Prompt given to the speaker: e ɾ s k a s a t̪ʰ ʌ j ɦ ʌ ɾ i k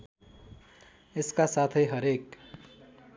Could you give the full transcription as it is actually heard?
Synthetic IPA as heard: e s k a s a t̪ʰ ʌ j ɦ ʌ ɾ e k